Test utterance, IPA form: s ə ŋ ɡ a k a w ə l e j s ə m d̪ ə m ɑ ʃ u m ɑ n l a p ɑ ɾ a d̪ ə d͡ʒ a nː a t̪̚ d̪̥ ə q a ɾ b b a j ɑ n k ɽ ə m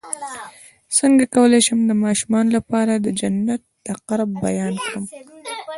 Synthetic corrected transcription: s ə ŋ ɡ a k a w ə l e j ʃ ə m d̪ ə m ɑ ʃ u m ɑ n l a p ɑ ɾ a d̪ ə d͡ʒ a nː a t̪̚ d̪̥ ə q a ɾ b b a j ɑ n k ɽ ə m